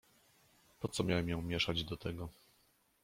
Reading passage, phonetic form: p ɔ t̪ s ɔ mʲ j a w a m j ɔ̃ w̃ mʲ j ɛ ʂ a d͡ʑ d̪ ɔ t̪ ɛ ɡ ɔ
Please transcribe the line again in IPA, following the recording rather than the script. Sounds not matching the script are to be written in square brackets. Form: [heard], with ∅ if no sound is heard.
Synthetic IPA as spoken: p ɔ t̪ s ɔ mʲ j a w [ɛ] m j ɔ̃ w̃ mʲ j ɛ ʂ a d͡ʑ d̪ ɔ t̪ ɛ ɡ ɔ

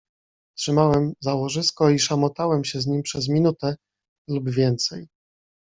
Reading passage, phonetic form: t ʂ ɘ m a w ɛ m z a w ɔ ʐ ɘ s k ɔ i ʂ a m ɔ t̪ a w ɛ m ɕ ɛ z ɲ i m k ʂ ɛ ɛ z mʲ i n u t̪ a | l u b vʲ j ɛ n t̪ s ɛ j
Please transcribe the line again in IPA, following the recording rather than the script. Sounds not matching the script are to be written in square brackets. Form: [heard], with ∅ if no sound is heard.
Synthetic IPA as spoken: t ʂ ɘ m a w ɛ m z a w ɔ ʐ ɘ s k ɔ i ʂ a m ɔ t̪ a w ɛ m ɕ ɛ z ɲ i m [p] ʂ ɛ ɛ z mʲ i n u t̪ [ɛ] | l u b vʲ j ɛ n t̪ s ɛ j

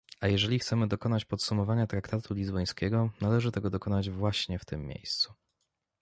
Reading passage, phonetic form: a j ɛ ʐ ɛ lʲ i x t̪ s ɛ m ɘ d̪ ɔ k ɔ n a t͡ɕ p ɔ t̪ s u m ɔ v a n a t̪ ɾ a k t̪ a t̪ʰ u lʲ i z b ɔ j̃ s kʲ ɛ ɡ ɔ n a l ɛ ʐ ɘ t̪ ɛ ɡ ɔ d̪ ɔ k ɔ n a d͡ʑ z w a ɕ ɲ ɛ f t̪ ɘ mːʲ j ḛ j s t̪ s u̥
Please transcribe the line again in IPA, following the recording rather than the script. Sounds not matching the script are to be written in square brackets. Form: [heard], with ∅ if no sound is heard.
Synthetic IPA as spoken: a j ɛ ʐ ɛ lʲ i x t̪ s ɛ m ɘ d̪ ɔ k ɔ n a t͡ɕ p ɔ t̪ s u m ɔ v a [ɲ] a t̪ ɾ a k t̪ a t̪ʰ u lʲ i z b ɔ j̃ s kʲ ɛ ɡ ɔ n a l ɛ ʐ ɘ t̪ ɛ ɡ ɔ d̪ ɔ k ɔ n a d͡ʑ [v] w a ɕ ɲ ɛ f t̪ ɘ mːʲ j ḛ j s t̪ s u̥

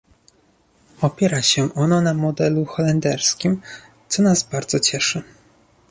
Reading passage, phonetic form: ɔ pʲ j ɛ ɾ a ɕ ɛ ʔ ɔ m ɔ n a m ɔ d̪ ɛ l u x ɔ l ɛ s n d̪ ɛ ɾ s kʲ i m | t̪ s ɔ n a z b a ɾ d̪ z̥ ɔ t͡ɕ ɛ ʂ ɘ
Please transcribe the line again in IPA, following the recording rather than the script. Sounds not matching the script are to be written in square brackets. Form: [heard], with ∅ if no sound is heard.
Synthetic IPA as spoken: ɔ pʲ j ɛ ɾ a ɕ ɛ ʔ ɔ [n] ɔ n a m ɔ d̪ ɛ l u x ɔ l ɛ [∅] n d̪ ɛ ɾ s kʲ i m | t̪ s ɔ n a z b a ɾ d̪ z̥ ɔ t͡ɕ ɛ ʂ ɘ

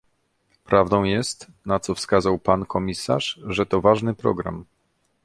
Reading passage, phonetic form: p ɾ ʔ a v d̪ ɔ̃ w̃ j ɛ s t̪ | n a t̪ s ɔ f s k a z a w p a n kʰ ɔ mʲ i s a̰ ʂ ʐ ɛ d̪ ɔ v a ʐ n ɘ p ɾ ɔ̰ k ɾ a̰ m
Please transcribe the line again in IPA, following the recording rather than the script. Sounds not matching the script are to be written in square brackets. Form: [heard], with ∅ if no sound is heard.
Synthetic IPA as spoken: p ɾ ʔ a v d̪ ɔ̃ w̃ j ɛ s t̪ | n a t̪ s ɔ f s k a z a w p a n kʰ ɔ mʲ i s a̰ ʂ ʐ ɛ [t̪] ɔ v a ʐ n ɘ p ɾ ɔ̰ [ɡ] ɾ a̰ m

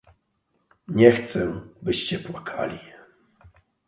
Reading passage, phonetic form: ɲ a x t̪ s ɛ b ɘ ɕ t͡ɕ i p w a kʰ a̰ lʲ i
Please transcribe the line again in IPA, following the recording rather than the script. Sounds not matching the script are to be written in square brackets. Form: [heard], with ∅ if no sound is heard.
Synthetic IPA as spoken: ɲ [ɛ] x t̪ s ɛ b ɘ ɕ t͡ɕ [ɛ] p w a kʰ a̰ lʲ i

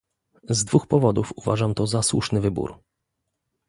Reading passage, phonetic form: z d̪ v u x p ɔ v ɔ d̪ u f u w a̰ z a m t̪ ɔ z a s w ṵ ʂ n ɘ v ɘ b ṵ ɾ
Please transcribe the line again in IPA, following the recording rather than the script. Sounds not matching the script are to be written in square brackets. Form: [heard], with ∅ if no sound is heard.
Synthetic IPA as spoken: z d̪ v u x p ɔ v ɔ d̪ u f u [v] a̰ [ʐ] a m t̪ ɔ z a s w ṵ ʂ n ɘ v ɘ b ṵ ɾ

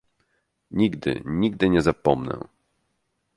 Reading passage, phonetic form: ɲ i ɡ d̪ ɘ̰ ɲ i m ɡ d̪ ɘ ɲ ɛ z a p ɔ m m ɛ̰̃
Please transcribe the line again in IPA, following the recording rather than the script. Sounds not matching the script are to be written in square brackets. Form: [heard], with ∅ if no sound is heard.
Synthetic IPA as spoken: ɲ i ɡ d̪ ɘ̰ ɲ i [∅] ɡ d̪ ɘ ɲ ɛ z a p ɔ m [n] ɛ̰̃

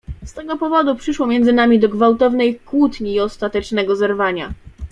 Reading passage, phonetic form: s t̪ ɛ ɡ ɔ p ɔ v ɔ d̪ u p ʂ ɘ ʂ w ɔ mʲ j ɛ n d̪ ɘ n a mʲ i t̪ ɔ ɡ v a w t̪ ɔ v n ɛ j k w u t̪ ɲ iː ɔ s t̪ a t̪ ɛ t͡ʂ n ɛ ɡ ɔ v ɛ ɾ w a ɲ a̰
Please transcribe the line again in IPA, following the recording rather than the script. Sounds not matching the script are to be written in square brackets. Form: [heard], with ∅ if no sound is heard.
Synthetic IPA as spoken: s t̪ ɛ ɡ ɔ p ɔ v ɔ d̪ u p ʂ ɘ ʂ w ɔ mʲ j ɛ n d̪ ɘ n a mʲ i [d̪] ɔ ɡ v a w t̪ ɔ v n ɛ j k w u t̪ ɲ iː ɔ s t̪ a t̪ ɛ t͡ʂ n ɛ ɡ ɔ [z] ɛ ɾ [v] a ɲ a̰

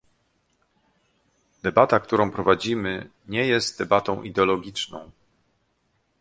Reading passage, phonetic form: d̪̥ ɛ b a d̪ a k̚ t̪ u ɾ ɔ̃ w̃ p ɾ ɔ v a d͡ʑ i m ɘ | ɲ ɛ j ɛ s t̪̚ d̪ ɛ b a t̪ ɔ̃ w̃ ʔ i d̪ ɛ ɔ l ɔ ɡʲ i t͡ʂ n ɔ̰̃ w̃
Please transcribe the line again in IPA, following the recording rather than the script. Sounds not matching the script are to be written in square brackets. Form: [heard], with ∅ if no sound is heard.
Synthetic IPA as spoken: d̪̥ ɛ b a [t̪] a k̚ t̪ u ɾ ɔ̃ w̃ p ɾ ɔ v a d͡ʑ i m ɘ | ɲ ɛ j ɛ s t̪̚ d̪ ɛ b a t̪ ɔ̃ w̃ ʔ i d̪ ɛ ɔ l ɔ ɡʲ i t͡ʂ n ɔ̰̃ w̃

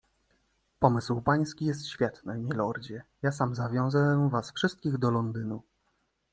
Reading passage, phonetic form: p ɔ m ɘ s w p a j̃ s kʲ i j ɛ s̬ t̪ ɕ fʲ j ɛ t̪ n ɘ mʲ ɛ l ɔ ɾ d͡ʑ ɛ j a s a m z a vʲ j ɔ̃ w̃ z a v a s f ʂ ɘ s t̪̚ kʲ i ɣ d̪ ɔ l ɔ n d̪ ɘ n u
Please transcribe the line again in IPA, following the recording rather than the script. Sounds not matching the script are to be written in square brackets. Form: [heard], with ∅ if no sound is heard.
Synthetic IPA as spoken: p ɔ m ɘ s w p a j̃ s kʲ i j ɛ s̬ t̪ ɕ fʲ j ɛ t̪ n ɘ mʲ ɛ l ɔ ɾ d͡ʑ ɛ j a s a m z a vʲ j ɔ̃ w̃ z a v a s f ʂ ɘ s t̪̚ kʲ i ɣ d̪ ɔ l ɔ n d̪ ɘ n u

